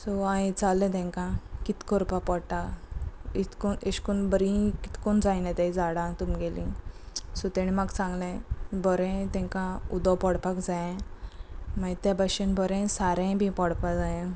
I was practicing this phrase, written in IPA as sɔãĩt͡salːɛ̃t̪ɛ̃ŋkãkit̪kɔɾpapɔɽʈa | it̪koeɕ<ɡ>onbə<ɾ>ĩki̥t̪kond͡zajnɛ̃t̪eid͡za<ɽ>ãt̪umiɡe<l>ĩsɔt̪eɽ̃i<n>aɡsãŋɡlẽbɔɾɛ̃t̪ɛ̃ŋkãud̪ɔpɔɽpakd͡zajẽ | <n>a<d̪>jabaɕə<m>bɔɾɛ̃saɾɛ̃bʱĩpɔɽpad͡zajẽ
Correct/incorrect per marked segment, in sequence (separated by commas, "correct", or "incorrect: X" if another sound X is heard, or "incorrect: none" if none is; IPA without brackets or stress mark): incorrect: k, correct, correct, correct, incorrect: m, incorrect: m, incorrect: t̪, incorrect: n